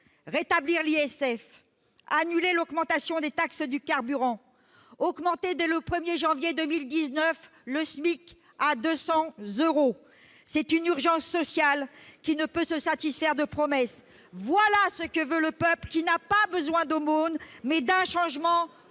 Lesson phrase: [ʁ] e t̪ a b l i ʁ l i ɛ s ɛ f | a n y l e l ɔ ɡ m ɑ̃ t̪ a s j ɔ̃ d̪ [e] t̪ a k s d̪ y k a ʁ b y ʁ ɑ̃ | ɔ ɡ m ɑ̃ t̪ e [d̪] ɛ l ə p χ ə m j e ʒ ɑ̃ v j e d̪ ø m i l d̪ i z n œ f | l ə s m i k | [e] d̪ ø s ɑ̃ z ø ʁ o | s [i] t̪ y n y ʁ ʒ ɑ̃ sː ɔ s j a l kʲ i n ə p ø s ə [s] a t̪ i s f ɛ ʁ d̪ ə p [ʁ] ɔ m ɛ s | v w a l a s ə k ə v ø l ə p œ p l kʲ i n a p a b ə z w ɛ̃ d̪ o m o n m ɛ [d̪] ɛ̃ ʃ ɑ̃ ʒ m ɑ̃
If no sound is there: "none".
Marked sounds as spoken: ʁ, e, d̪, a, ɛ, s, χ, d̪

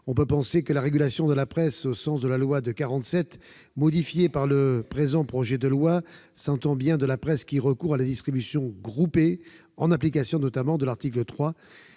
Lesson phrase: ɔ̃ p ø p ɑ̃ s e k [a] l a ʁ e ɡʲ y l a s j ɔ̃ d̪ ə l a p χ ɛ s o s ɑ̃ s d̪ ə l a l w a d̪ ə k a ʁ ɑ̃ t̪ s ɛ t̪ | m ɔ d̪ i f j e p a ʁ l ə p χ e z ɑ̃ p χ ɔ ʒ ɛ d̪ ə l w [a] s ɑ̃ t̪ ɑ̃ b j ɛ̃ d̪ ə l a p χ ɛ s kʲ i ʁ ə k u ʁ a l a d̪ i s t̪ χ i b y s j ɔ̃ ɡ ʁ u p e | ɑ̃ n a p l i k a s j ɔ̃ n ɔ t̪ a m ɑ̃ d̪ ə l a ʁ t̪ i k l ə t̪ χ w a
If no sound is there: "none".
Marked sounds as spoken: ə, a

